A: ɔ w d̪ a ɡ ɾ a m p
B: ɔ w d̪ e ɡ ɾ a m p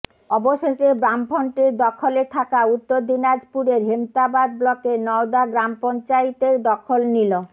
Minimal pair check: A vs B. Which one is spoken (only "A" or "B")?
A